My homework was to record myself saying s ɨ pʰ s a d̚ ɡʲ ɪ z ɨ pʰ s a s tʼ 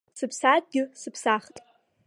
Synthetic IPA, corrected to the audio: s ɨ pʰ s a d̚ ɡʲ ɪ s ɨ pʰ s a χ tʼ